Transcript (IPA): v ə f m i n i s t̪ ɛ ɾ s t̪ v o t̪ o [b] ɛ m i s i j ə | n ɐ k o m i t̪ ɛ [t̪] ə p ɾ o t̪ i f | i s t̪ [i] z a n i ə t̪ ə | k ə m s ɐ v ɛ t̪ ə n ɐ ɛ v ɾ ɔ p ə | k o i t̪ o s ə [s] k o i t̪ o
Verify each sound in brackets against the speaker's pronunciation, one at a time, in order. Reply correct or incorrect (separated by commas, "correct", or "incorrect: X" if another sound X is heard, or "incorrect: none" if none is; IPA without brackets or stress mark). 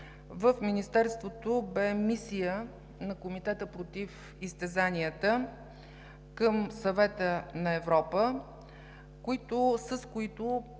correct, correct, incorrect: ɛ, correct